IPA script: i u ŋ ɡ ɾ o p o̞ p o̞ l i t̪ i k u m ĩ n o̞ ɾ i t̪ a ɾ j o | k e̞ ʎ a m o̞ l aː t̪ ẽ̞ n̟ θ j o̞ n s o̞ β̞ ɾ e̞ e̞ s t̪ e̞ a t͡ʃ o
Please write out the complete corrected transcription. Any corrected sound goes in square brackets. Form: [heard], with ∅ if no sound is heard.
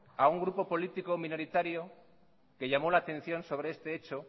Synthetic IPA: [a] u ŋ ɡ ɾ [u] p o̞ p o̞ l i t̪ i k [o] m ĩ n o̞ ɾ i t̪ a ɾ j o | k e̞ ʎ a m o̞ l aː t̪ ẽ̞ n̟ θ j o̞ n s o̞ β̞ ɾ e̞ e̞ s t̪ e̞ [e] t͡ʃ o